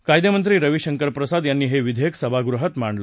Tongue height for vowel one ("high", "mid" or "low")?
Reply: low